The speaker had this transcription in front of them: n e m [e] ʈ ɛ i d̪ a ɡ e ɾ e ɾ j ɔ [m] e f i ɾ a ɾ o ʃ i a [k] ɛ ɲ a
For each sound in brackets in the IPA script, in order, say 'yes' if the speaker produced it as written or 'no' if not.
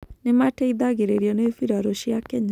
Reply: no, no, yes

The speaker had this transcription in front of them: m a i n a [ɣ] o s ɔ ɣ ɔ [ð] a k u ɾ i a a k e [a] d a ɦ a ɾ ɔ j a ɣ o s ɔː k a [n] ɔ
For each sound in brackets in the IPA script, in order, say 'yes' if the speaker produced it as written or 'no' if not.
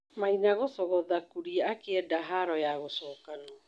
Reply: yes, yes, no, yes

